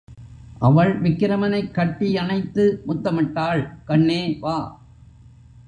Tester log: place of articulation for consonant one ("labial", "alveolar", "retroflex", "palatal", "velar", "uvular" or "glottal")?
glottal